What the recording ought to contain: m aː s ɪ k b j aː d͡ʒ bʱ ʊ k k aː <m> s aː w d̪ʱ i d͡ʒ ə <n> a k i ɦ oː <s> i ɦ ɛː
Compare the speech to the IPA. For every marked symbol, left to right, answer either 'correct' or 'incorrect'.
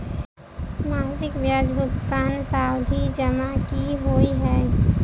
incorrect, incorrect, incorrect

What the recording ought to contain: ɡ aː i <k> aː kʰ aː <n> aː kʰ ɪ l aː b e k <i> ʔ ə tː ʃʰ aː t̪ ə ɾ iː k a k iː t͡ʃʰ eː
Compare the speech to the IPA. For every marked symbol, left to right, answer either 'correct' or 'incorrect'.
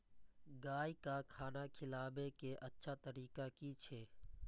correct, correct, incorrect

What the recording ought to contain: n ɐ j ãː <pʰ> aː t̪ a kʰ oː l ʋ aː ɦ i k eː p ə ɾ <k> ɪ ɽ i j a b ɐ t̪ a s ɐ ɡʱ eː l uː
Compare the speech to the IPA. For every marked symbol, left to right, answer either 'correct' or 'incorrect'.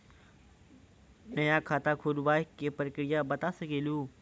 incorrect, correct

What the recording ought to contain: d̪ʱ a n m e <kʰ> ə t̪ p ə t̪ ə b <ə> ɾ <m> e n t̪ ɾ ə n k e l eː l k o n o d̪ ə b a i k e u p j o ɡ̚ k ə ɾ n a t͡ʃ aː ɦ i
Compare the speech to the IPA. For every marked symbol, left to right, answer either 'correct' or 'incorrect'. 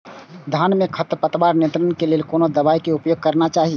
correct, incorrect, incorrect

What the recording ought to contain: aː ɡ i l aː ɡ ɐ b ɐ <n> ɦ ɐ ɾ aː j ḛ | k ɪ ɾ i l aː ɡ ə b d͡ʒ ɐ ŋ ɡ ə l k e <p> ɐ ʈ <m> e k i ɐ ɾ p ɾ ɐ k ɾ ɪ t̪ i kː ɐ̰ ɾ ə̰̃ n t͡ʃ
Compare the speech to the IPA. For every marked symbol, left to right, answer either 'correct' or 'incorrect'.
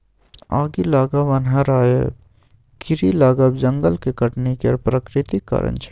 correct, incorrect, incorrect

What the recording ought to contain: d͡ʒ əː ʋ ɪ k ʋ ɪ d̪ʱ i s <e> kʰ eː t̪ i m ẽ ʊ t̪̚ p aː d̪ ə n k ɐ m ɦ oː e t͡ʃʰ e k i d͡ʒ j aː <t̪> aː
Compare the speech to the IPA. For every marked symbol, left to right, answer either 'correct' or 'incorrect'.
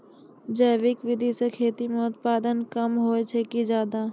correct, incorrect

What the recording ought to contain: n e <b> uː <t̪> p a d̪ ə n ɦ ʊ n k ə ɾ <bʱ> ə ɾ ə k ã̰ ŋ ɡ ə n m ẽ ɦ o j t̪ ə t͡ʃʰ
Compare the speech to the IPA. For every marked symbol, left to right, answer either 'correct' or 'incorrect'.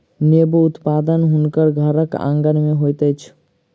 correct, correct, incorrect

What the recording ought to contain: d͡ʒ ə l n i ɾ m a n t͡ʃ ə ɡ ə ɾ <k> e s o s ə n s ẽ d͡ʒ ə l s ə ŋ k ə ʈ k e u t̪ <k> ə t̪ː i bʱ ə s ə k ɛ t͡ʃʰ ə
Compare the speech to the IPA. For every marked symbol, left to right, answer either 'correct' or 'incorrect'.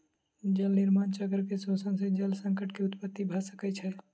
correct, incorrect

